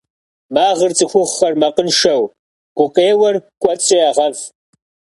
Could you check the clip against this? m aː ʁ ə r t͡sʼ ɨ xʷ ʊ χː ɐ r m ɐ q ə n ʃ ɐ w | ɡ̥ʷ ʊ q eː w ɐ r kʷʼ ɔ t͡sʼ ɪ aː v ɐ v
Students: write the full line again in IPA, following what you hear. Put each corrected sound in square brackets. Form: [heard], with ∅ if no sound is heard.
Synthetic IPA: m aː ʁ ə r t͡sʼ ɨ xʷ ʊ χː ɐ r m ɐ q ə n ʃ ɐ w | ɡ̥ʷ ʊ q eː w ɐ r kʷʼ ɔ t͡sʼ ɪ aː [ʁ] ɐ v